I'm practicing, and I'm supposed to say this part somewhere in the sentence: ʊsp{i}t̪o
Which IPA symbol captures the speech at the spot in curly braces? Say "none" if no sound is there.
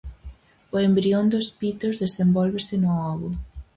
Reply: i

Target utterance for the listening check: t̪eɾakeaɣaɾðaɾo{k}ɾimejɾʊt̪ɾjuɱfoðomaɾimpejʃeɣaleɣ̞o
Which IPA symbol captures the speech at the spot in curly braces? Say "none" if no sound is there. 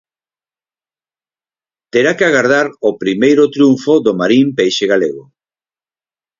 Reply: p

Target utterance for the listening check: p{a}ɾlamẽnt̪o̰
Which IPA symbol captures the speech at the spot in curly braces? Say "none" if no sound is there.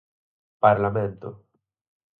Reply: a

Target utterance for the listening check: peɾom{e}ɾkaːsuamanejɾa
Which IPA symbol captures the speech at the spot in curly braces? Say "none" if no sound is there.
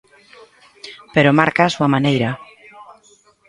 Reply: a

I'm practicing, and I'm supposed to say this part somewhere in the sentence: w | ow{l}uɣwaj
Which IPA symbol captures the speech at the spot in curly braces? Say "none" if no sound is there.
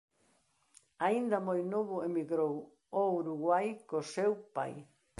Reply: ɾ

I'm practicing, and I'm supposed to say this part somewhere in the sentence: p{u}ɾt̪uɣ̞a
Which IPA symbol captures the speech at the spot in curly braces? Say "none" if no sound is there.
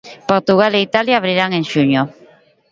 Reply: o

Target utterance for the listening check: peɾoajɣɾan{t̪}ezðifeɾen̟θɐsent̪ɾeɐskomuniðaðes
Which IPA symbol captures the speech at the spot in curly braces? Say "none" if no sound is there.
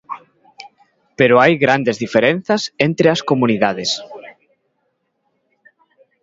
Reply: d̪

